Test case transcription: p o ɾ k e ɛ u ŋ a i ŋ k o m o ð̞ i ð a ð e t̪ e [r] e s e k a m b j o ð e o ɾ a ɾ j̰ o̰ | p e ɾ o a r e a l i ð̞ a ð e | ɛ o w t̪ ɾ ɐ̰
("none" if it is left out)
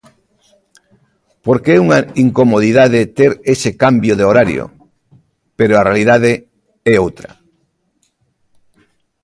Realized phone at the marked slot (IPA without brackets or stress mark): ɾ